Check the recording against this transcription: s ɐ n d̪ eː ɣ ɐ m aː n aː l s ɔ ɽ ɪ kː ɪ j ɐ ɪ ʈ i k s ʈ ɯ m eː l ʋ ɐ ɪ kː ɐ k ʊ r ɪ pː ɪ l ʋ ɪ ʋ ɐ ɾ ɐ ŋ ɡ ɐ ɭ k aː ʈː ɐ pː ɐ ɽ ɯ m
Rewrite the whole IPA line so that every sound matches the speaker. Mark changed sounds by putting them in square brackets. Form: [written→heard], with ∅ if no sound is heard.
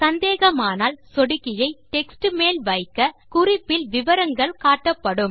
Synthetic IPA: s ɐ n d̪ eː ɣ ɐ m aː n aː l s ɔ ɽ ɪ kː ɪ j ɐ ɪ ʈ [i→ɛ] k s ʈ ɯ m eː l ʋ ɐ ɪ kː ɐ k ʊ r ɪ pː ɪ l ʋ ɪ ʋ ɐ ɾ ɐ ŋ ɡ ɐ ɭ k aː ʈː ɐ pː ɐ ɽ ɯ m

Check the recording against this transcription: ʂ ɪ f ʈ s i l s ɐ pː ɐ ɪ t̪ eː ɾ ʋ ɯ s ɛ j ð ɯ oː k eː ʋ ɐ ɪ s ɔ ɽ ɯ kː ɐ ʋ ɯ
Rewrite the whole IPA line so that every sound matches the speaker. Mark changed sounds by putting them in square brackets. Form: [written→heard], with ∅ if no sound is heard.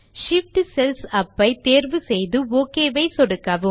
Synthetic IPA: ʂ ɪ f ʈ s [i→ɛ] l s ɐ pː ɐ ɪ t̪ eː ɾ ʋ ɯ s ɛ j ð ɯ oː k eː ʋ ɐ ɪ s ɔ ɽ ɯ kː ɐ ʋ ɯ

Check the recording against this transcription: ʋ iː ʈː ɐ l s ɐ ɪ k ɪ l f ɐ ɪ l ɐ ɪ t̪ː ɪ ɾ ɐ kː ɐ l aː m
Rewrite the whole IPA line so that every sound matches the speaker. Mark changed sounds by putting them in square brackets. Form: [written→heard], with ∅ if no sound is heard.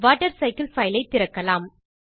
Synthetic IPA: ʋ [iː→aː] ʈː ɐ [l→ɾ] s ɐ ɪ k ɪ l f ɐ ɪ l ɐ ɪ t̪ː ɪ ɾ ɐ kː ɐ l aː m

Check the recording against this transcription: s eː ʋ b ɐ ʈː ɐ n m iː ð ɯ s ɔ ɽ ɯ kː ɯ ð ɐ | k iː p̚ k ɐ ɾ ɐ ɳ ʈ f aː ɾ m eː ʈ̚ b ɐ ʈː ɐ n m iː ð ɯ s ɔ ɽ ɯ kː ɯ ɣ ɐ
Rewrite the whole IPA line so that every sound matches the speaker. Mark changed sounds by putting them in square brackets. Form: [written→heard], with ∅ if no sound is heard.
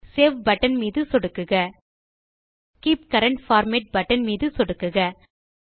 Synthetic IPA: s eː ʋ b ɐ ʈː ɐ n m iː ð ɯ s ɔ ɽ ɯ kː ɯ [ð→ɣ] ɐ | k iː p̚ k ɐ ɾ ɐ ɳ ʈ f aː ɾ m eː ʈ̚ b ɐ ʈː ɐ n m iː ð ɯ s ɔ ɽ ɯ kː ɯ ɣ ɐ

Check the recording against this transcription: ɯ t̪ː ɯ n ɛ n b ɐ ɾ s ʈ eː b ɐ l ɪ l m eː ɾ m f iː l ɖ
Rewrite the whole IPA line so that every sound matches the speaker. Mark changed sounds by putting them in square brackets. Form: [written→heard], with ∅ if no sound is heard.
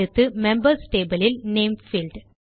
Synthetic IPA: ɯ t̪ː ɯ [n→m] ɛ [n→m] b ɐ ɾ s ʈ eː b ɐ l ɪ l [m→n] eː [ɾ→∅] m f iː l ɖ

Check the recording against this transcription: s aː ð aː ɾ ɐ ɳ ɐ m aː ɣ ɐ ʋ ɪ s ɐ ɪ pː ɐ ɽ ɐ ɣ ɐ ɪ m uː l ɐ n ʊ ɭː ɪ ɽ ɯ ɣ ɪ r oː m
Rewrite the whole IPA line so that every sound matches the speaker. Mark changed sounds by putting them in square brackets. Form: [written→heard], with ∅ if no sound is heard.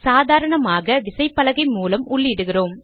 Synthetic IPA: s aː ð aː ɾ ɐ ɳ ɐ m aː ɣ ɐ ʋ ɪ s ɐ ɪ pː ɐ [ɽ→l] ɐ ɣ ɐ ɪ m uː l ɐ [n→m] ʊ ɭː ɪ ɽ ɯ ɣ ɪ r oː m

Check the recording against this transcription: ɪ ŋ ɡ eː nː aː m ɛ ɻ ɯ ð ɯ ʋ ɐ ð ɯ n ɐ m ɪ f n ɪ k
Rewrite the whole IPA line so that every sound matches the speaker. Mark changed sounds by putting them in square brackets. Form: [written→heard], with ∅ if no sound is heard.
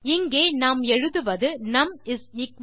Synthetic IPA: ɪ ŋ ɡ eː [nː→n] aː m ɛ ɻ ɯ ð ɯ ʋ ɐ ð ɯ n ɐ m ɪ [f→s] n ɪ k

